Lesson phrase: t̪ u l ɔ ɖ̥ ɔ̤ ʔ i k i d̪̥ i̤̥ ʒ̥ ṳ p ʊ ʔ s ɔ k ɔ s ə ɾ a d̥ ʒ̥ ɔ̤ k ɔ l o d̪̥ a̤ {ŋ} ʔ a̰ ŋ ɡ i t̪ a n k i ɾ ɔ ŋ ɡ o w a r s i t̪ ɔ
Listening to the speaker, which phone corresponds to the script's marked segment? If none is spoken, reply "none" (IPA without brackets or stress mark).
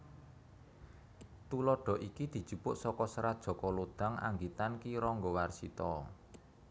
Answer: ŋ